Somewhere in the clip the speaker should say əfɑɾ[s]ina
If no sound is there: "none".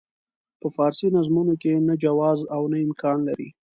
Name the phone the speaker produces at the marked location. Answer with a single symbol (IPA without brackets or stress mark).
s